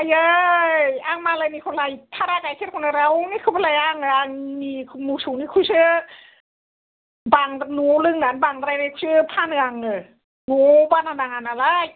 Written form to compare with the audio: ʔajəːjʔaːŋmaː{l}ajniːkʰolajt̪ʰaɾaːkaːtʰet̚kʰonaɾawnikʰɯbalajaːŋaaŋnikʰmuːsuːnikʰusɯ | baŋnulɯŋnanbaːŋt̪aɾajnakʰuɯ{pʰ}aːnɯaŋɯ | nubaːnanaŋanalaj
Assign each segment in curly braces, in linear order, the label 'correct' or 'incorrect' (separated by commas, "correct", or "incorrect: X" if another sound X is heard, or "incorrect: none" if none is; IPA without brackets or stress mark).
correct, correct